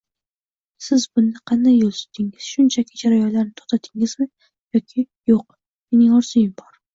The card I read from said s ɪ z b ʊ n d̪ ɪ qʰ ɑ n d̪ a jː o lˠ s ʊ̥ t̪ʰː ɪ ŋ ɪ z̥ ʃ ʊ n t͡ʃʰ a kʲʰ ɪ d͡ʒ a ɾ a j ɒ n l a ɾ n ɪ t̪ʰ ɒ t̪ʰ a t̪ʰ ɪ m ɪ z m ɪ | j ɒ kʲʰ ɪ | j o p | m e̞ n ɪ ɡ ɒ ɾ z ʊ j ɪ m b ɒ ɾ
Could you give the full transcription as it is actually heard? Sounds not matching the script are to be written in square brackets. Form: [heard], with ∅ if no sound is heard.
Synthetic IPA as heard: s ɪ z b ʊ n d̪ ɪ qʰ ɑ n d̪ a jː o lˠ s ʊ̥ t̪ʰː ɪ ŋ ɪ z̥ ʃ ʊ n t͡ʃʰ a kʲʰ ɪ d͡ʒ a ɾ a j ɒ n l a ɾ n ɪ t̪ʰ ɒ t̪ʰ a t̪ʰ ɪ [ŋ] ɪ z m ɪ | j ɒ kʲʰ ɪ | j o [q] | m e̞ n ɪ [ŋ] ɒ ɾ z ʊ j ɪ m b ɒ ɾ